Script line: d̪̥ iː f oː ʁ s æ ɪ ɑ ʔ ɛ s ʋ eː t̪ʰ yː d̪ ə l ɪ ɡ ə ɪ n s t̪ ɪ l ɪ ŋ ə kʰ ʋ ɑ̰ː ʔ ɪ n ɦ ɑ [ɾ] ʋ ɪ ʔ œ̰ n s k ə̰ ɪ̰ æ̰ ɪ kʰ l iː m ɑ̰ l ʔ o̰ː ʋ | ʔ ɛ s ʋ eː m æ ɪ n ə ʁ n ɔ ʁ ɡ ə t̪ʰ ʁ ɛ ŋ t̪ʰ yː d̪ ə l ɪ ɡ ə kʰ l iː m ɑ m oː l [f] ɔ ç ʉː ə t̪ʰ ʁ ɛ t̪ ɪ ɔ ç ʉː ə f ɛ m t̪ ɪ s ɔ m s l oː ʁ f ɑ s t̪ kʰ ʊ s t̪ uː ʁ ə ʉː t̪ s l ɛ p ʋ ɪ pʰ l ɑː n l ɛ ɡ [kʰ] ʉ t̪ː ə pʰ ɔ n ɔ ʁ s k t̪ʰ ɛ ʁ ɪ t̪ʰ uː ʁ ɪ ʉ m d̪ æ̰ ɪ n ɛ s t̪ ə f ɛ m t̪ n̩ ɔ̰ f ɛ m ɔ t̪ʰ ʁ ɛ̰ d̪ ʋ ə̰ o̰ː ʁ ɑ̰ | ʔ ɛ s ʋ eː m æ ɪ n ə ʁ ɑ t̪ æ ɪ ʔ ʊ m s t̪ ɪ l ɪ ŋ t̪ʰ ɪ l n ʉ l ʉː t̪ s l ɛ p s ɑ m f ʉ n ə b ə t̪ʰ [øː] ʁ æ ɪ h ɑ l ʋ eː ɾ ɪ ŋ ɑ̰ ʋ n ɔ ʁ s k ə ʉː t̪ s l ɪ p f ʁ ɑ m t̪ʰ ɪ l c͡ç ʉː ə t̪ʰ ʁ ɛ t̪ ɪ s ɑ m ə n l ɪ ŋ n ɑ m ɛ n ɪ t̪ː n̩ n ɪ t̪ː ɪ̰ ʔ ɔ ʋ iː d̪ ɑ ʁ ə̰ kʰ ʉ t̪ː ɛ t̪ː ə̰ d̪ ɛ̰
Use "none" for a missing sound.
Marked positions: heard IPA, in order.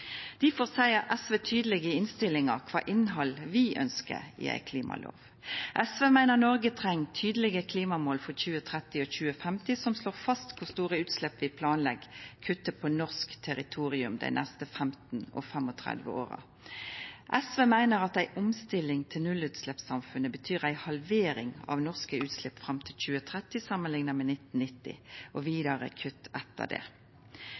l, f, kʰ, yː

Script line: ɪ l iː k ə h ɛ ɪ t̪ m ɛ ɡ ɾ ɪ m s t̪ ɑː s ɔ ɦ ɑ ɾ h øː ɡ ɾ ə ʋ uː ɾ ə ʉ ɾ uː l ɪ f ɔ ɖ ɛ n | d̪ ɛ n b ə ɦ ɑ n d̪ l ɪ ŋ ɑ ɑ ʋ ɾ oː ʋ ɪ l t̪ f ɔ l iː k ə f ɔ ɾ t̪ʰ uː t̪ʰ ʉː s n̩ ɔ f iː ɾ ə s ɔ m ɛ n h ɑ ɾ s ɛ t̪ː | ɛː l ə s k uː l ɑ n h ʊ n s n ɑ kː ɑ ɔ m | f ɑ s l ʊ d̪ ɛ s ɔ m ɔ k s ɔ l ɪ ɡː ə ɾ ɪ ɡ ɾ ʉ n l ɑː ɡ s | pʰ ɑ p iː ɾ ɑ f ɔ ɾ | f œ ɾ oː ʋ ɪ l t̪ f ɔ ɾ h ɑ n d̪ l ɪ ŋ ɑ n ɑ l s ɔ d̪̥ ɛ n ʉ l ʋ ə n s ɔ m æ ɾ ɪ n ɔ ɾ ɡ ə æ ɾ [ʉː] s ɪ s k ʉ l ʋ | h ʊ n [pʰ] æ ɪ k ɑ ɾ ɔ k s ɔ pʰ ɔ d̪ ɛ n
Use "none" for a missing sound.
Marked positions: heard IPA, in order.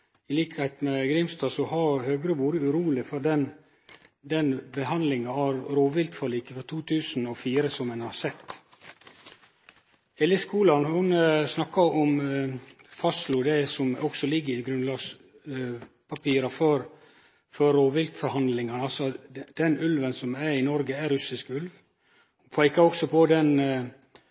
ʉ, pʰ

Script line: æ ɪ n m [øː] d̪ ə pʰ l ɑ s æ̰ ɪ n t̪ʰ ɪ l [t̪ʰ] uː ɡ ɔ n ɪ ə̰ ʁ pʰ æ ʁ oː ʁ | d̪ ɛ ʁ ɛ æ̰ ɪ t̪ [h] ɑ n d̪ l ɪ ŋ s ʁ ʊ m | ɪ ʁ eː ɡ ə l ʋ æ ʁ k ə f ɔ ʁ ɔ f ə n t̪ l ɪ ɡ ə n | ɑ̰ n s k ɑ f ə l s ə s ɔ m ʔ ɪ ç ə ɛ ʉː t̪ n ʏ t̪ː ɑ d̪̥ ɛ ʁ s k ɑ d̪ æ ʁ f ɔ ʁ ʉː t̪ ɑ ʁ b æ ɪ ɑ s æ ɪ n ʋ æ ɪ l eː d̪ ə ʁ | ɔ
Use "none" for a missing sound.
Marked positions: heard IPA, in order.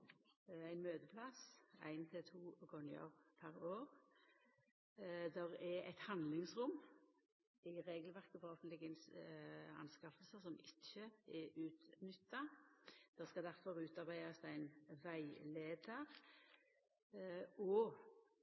øː, t̪ʰ, h

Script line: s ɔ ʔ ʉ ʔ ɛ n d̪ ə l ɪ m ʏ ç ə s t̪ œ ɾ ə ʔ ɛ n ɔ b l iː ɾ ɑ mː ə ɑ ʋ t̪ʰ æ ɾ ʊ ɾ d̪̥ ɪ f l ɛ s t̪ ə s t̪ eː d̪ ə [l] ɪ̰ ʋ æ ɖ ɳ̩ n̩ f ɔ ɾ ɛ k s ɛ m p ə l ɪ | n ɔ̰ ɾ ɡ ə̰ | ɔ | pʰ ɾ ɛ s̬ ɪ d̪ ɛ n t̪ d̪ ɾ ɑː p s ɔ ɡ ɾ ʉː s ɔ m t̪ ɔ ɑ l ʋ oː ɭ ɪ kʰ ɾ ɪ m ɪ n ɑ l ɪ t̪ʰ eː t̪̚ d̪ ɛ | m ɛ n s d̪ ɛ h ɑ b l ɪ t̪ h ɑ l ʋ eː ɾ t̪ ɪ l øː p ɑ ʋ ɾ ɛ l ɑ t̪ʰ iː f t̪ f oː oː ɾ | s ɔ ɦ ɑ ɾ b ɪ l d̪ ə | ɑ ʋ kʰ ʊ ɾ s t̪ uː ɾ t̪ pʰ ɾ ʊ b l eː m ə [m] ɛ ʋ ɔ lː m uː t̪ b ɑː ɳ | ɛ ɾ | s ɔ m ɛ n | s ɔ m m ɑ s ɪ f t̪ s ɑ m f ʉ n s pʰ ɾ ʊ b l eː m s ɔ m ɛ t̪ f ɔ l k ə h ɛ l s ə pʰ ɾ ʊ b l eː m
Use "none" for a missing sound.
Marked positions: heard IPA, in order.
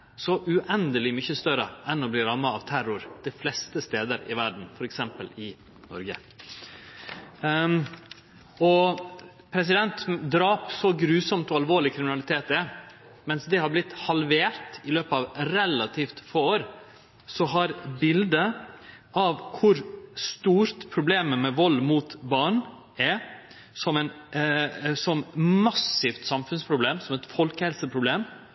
ɾ, m

